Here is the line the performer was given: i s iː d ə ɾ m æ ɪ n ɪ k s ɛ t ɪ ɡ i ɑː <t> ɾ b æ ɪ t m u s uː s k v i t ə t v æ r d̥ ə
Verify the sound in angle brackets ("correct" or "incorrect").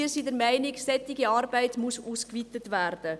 incorrect